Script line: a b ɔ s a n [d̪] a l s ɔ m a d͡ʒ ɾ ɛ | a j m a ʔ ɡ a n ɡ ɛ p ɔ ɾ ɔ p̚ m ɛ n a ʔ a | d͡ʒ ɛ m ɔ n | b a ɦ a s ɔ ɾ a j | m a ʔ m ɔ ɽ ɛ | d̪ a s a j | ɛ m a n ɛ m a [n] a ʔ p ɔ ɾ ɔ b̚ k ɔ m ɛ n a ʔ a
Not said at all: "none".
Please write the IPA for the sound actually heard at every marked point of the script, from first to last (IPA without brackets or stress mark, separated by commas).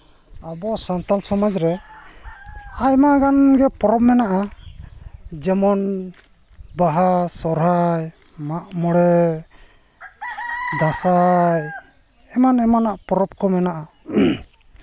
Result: t̪, n